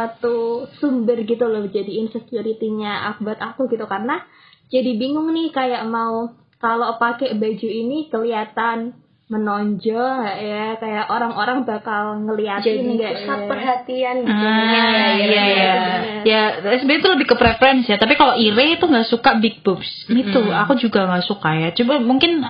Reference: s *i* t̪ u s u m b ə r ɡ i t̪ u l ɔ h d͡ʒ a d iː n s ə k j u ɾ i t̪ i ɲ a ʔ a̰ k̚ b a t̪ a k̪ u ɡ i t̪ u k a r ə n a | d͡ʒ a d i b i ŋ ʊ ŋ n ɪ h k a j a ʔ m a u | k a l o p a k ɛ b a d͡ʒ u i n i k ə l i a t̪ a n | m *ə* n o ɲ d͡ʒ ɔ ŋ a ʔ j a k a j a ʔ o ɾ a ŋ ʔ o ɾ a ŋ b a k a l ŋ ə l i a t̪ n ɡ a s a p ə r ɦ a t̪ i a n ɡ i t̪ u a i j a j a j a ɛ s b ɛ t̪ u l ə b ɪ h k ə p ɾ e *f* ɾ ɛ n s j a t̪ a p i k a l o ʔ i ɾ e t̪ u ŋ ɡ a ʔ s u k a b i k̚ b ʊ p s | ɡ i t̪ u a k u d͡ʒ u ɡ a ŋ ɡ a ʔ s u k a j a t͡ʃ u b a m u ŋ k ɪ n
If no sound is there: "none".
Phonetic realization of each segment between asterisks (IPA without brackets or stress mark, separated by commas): a, ə, f